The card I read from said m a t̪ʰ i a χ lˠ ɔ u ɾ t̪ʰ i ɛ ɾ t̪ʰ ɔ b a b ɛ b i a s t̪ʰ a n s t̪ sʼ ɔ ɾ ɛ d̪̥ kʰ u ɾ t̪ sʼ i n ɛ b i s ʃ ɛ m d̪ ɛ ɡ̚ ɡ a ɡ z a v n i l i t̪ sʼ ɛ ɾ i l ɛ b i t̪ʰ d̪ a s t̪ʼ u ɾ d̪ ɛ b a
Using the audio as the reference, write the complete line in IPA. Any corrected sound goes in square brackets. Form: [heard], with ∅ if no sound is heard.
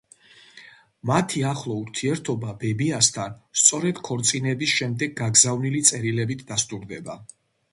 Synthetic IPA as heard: m a t̪ʰ i a χ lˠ ɔ u ɾ t̪ʰ i ɛ ɾ t̪ʰ ɔ b a b ɛ b i a s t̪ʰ a n s t̪ sʼ ɔ ɾ ɛ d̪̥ kʰ [ɔ] ɾ t̪ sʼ i n ɛ b i s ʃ ɛ m d̪ ɛ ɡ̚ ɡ a ɡ z a v n i l i t̪ sʼ ɛ ɾ i l ɛ b i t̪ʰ d̪ a s t̪ʼ u ɾ d̪ ɛ b a